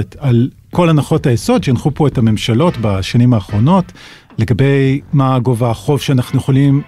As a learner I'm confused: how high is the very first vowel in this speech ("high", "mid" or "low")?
low